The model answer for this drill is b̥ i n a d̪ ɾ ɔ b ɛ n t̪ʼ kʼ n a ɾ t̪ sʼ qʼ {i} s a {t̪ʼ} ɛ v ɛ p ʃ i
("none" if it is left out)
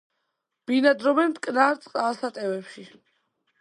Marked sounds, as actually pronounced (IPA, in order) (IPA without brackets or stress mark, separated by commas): a, t̪ʼ